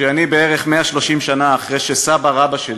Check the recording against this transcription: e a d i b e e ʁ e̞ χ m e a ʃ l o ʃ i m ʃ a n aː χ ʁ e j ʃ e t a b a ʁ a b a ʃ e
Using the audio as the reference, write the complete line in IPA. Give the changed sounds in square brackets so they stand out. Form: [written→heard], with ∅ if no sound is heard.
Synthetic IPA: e a [d→n] i b e e ʁ e̞ χ m e a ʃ l o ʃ i m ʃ a n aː χ ʁ e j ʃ e [t→s] a b a ʁ a b a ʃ e